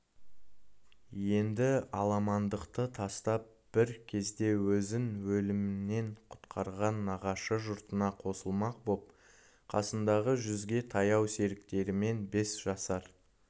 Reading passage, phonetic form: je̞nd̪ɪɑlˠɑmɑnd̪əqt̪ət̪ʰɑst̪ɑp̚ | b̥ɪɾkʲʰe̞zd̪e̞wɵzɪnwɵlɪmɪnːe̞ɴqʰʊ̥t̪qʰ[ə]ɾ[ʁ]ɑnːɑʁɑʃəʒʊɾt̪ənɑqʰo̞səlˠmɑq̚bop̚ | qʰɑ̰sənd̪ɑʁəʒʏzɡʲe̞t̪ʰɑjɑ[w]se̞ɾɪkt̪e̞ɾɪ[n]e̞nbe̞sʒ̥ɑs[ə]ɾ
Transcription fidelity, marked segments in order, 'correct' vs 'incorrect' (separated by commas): incorrect, correct, correct, incorrect, incorrect